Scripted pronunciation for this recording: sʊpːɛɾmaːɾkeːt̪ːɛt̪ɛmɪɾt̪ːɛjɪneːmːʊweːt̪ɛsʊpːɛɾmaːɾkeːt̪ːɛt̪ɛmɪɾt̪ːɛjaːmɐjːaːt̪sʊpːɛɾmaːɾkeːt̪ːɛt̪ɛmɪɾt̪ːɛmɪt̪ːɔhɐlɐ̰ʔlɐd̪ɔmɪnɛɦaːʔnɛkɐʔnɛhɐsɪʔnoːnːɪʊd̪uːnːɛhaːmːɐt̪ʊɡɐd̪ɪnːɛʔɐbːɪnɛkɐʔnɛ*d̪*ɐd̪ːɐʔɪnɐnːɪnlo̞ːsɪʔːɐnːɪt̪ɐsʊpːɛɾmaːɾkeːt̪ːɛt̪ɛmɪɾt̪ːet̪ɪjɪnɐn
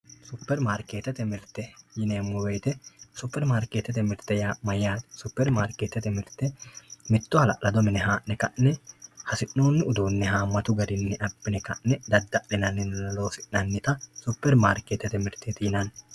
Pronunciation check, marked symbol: correct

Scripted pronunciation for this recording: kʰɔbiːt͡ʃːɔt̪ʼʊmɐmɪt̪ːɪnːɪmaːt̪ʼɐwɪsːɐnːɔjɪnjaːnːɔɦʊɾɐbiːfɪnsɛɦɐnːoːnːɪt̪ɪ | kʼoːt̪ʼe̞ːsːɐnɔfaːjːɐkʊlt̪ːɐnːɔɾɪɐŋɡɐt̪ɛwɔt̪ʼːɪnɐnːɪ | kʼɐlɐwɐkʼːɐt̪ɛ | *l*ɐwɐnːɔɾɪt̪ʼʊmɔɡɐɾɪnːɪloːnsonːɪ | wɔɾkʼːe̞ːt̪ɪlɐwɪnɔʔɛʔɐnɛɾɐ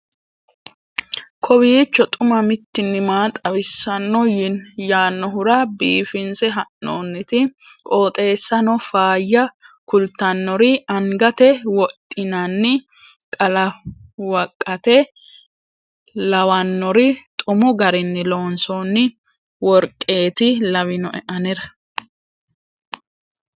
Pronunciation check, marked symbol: correct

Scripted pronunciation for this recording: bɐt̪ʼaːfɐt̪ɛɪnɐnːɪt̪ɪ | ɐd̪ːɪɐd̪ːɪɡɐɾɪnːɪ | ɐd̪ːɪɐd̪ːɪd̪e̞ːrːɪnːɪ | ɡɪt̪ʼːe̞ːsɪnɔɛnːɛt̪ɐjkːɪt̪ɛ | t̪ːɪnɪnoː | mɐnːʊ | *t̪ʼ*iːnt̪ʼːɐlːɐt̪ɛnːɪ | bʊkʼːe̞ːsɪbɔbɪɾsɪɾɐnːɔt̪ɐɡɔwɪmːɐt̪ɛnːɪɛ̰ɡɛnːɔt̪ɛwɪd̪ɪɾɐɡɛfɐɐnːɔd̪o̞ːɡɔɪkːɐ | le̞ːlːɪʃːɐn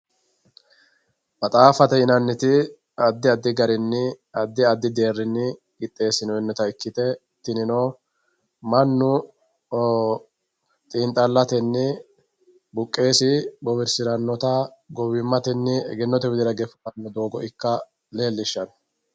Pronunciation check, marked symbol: correct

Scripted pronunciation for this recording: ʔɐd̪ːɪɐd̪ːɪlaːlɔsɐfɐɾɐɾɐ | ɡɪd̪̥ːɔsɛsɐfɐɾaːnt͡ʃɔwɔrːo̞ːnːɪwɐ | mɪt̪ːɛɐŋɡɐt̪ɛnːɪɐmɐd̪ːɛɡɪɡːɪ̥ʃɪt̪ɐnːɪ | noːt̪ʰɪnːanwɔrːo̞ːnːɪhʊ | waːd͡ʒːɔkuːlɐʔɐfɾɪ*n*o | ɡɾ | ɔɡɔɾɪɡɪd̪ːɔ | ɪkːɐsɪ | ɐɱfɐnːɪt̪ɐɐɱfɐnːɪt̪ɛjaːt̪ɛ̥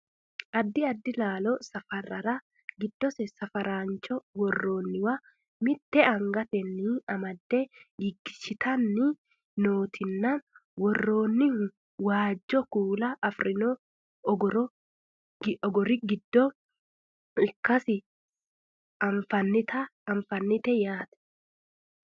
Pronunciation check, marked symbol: correct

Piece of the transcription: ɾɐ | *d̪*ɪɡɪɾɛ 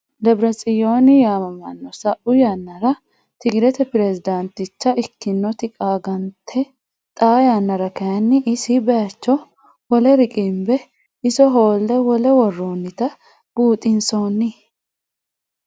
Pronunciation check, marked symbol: incorrect: t̪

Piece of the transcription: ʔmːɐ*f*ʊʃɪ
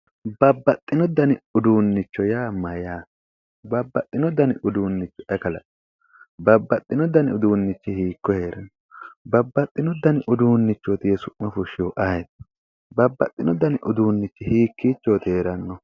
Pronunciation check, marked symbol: correct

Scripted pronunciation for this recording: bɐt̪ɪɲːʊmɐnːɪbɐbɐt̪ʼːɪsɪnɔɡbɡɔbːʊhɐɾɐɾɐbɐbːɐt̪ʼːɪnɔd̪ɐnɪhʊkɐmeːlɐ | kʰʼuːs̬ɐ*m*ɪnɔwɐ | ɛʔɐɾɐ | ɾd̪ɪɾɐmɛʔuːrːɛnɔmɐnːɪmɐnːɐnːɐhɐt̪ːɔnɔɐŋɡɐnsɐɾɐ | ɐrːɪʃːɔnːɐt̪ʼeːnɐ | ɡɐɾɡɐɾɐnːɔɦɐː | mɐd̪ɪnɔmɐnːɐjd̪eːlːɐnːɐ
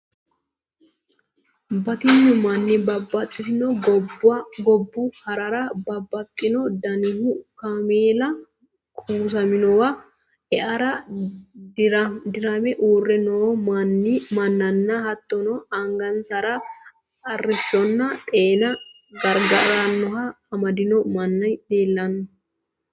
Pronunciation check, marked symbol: correct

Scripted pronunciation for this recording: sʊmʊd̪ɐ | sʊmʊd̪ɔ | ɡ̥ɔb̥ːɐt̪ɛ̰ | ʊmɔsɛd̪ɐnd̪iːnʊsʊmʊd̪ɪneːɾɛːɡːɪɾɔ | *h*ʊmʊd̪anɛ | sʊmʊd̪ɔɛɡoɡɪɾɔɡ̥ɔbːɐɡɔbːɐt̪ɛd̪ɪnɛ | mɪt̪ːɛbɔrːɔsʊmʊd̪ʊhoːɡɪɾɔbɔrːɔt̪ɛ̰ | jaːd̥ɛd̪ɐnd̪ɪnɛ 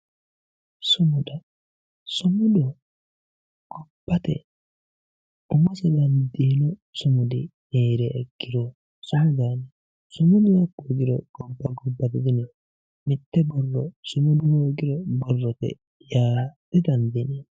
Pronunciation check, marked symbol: incorrect: s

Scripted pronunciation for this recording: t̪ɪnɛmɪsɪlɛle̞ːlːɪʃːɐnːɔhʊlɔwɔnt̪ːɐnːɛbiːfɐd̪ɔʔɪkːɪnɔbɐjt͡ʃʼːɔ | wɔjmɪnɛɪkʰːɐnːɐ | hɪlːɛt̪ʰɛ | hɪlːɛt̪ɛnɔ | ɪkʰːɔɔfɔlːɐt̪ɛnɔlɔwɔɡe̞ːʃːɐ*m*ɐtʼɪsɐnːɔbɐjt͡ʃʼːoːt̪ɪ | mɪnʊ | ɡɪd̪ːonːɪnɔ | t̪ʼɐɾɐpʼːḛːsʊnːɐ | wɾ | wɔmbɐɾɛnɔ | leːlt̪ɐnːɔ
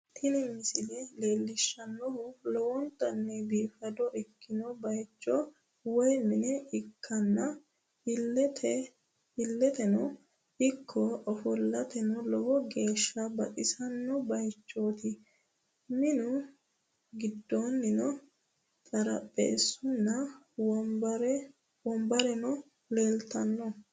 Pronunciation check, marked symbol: incorrect: b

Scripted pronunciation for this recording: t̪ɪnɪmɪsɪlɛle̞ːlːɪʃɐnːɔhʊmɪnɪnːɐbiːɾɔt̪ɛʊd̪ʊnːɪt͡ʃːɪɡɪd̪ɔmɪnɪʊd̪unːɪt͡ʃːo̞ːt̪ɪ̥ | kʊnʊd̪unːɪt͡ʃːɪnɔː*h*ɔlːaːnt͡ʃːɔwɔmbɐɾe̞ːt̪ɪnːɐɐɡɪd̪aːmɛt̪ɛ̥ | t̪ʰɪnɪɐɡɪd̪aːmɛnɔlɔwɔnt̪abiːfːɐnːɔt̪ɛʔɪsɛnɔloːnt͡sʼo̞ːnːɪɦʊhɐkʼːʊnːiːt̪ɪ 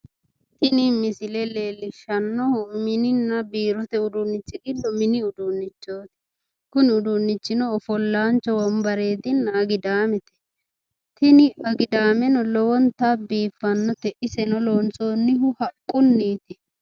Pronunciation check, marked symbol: incorrect: f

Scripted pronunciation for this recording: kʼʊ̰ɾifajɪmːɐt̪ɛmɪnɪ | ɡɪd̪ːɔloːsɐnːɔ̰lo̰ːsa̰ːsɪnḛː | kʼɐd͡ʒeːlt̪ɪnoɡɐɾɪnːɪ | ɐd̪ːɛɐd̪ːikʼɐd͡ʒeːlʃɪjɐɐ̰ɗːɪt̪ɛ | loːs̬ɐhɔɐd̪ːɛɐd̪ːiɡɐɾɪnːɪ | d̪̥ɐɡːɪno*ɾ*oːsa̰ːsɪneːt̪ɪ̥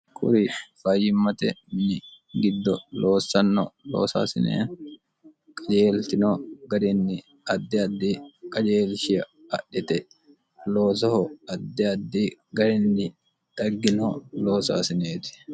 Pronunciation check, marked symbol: incorrect: l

